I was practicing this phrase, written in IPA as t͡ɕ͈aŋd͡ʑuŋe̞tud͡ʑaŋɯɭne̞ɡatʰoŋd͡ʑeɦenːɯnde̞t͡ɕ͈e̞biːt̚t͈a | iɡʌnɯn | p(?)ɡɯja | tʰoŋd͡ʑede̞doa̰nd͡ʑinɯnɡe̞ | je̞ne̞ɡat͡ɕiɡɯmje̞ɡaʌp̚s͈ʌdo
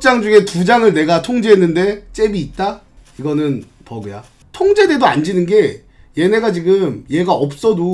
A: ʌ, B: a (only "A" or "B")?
A